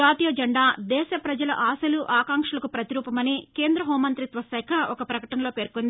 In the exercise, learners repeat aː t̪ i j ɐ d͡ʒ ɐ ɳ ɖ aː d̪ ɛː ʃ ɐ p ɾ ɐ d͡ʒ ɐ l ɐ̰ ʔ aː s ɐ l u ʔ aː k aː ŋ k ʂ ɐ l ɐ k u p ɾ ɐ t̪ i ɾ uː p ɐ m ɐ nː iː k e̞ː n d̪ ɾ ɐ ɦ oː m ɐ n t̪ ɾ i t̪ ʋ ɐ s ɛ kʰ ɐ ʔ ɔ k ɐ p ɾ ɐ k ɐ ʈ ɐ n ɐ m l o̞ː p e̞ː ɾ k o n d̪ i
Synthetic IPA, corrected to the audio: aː t̪ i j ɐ d͡ʒ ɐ ɳ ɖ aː d̪ ɛː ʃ ɐ p ɾ ɐ d͡ʒ ɐ l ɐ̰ ʔ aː s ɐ l u ʔ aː k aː ŋ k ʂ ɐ l ɐ k u p ɾ ɐ t̪ i ɾ uː p ɐ m ɐ n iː k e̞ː n d̪ ɾ ɐ ɦ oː m ɐ n t̪ ɾ i t̪ ʋ ɐ s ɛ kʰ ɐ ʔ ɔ k ɐ p ɾ ɐ k ɐ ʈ ɐ n ɐ l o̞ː p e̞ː ɾ k o n d̪ i